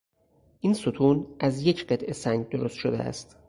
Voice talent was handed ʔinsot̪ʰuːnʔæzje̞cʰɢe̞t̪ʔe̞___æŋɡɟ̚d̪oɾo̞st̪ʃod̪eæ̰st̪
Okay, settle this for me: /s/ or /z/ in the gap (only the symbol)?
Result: s